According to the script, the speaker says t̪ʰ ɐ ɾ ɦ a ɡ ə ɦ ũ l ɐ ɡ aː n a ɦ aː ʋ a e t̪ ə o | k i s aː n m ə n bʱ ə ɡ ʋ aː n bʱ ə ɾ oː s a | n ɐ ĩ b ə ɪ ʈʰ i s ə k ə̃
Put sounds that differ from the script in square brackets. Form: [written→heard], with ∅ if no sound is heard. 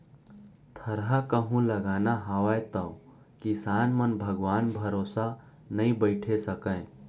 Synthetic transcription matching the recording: t̪ʰ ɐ ɾ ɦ a [ɡ→k] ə ɦ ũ l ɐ ɡ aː n a ɦ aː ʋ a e t̪ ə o | k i s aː n m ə n bʱ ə ɡ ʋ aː n bʱ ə ɾ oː s a | n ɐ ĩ b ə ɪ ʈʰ [i→e] s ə k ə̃

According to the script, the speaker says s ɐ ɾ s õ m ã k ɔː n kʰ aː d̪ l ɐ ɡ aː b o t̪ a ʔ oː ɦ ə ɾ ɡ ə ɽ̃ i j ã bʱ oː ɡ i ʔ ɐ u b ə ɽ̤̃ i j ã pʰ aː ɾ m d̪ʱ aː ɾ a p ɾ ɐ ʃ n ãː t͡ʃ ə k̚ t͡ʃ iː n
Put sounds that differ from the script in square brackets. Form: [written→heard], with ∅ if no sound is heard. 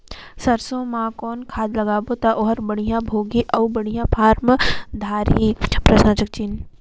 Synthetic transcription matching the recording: s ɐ ɾ s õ m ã k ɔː n kʰ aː d̪ l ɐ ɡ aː b o t̪ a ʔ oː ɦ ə ɾ [ɡ→b] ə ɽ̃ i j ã bʱ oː ɡ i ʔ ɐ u b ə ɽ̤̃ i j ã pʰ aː ɾ m d̪ʱ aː ɾ [a→i] p ɾ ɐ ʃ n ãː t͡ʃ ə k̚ t͡ʃ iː n

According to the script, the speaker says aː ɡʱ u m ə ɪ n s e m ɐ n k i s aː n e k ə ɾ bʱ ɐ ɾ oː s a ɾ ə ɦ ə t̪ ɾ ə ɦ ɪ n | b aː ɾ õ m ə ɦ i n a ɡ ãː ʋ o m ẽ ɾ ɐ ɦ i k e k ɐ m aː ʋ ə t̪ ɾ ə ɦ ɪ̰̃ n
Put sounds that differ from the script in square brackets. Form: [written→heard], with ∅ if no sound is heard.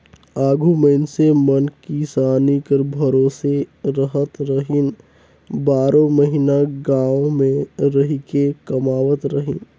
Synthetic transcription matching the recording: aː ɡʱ u m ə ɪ n s e m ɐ n k i s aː n [e→i] k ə ɾ bʱ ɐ ɾ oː s [a→e] ɾ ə ɦ ə t̪ ɾ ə ɦ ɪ n | b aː ɾ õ m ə ɦ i n a ɡ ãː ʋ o m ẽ ɾ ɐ ɦ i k e k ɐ m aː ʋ ə t̪ ɾ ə ɦ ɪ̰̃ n

